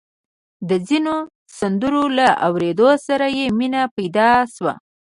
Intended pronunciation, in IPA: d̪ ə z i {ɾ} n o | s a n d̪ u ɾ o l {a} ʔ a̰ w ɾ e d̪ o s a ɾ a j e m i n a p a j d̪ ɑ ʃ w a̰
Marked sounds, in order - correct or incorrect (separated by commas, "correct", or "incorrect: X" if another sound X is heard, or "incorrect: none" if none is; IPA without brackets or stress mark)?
incorrect: none, correct